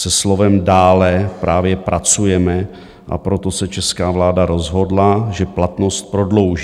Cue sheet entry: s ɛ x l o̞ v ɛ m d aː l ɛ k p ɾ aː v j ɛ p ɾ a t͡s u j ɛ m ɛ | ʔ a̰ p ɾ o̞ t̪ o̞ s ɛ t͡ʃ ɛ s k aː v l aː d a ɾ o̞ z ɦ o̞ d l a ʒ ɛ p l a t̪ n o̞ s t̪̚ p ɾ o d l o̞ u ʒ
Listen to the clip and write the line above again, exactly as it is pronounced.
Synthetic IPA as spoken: s ɛ s l o̞ v ɛ m d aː l ɛ p ɾ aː v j ɛ p ɾ a t͡s u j ɛ m ɛ | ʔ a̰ p ɾ o̞ t̪ o̞ s ɛ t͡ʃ ɛ s k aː v l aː d a ɾ o̞ z ɦ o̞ d l a ʒ ɛ p l a t̪ n o̞ s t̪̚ p ɾ o d l o̞ w ʒ